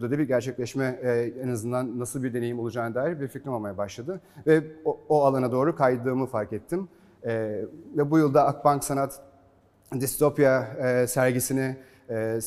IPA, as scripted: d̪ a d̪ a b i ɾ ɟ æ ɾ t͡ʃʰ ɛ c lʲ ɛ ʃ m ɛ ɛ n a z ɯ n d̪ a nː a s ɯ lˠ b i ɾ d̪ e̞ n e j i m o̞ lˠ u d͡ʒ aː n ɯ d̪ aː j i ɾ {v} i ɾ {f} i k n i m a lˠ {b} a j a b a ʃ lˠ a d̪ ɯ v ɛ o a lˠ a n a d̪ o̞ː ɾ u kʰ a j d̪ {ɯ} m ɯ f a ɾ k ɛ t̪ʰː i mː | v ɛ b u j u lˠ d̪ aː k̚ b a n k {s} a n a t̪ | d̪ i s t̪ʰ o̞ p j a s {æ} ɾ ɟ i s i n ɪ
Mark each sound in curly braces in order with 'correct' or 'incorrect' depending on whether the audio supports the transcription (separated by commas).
incorrect, correct, incorrect, incorrect, correct, correct